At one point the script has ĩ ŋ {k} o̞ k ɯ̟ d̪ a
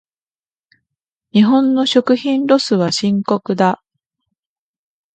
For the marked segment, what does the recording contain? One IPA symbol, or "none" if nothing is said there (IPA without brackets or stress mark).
k